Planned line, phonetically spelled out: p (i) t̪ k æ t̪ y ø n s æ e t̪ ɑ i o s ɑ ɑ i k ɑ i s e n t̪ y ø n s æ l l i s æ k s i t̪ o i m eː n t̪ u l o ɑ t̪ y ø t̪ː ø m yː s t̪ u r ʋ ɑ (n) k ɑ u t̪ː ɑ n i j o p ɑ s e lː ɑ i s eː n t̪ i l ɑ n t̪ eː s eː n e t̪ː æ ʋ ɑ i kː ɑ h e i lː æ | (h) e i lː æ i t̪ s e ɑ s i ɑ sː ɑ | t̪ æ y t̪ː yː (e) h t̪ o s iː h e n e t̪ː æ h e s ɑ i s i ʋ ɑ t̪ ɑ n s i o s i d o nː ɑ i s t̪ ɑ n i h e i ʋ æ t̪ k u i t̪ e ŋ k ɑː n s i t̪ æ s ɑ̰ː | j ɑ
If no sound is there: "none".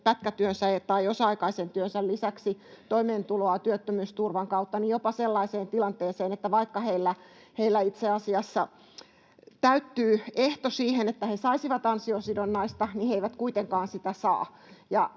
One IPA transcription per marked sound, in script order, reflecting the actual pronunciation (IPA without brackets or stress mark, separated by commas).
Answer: æ, ŋ, h, e